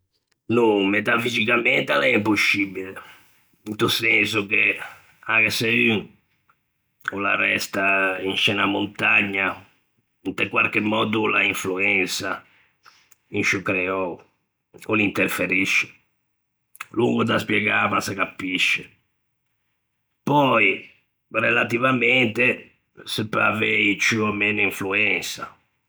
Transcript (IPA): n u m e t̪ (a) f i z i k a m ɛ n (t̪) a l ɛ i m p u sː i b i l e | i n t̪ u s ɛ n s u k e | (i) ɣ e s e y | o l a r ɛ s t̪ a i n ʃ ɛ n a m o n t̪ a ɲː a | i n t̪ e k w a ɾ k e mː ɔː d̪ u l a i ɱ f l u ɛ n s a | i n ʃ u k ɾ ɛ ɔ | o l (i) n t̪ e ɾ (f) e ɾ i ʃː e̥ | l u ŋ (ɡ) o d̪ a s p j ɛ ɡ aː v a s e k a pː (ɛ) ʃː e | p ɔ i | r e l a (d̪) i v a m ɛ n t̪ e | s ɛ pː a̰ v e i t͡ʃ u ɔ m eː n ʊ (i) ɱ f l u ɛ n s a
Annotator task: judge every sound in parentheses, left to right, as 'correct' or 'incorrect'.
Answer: correct, correct, incorrect, correct, correct, correct, incorrect, incorrect, correct

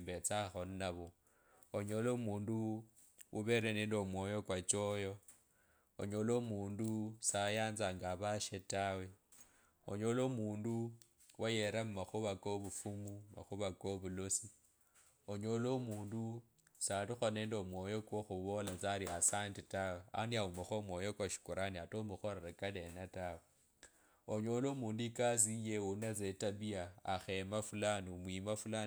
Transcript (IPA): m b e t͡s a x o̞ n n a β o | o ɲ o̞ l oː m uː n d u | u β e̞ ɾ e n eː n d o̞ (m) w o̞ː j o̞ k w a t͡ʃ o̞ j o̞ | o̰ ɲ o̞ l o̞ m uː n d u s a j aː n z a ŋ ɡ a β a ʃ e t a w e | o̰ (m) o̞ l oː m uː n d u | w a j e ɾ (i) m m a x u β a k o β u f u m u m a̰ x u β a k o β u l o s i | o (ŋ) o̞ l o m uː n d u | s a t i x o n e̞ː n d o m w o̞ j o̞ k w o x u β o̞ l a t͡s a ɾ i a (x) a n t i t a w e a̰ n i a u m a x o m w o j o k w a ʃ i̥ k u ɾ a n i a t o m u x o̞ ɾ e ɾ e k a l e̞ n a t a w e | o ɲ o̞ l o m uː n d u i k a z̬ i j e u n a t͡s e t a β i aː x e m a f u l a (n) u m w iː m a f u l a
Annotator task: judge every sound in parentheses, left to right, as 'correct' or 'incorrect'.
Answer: correct, incorrect, incorrect, incorrect, incorrect, correct

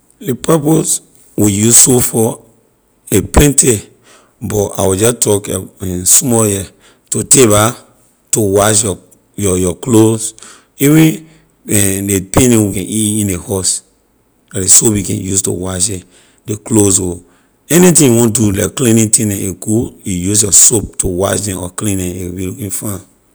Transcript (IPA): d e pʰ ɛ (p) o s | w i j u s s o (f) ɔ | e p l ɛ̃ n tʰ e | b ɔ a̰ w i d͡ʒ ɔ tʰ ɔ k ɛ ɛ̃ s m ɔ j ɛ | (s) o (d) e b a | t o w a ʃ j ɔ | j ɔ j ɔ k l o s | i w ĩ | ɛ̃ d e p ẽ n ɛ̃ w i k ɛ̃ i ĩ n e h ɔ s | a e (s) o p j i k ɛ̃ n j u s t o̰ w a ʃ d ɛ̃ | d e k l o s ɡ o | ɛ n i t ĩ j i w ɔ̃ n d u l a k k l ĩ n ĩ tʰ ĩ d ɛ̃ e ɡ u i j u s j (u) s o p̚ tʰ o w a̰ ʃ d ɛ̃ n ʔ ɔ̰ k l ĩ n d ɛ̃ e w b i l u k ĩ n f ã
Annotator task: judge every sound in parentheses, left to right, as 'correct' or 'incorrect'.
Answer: correct, correct, incorrect, incorrect, correct, incorrect

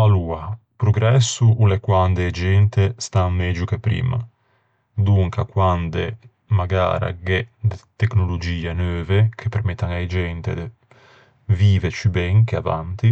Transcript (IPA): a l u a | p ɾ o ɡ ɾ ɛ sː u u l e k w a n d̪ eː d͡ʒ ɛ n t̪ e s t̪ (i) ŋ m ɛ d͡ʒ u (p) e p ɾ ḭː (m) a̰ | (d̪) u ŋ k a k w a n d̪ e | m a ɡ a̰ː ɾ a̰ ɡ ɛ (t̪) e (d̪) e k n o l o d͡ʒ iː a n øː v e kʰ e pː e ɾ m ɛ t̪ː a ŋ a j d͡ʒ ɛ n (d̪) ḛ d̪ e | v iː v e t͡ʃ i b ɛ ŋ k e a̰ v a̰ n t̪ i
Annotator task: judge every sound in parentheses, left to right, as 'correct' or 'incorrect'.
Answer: incorrect, incorrect, correct, correct, incorrect, incorrect, incorrect

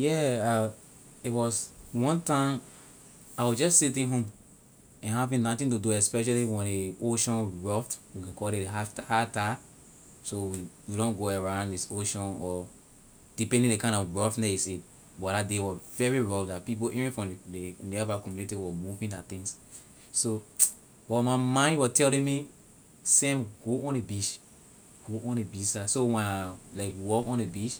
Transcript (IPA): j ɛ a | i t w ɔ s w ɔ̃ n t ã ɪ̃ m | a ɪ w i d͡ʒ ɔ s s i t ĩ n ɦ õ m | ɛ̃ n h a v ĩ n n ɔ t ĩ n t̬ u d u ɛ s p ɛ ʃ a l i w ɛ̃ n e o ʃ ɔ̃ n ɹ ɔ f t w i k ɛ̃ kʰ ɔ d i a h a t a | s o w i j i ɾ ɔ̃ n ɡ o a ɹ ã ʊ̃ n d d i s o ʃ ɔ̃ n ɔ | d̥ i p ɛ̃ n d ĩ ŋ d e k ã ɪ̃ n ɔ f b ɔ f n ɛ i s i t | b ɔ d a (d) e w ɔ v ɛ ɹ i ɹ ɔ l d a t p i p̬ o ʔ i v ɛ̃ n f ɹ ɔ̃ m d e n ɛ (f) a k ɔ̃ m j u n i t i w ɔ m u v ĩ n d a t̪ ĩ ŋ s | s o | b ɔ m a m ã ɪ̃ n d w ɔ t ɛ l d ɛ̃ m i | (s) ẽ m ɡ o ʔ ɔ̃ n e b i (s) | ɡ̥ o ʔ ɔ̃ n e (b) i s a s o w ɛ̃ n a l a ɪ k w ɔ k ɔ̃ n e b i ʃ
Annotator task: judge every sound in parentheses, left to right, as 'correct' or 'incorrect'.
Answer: correct, incorrect, correct, incorrect, correct

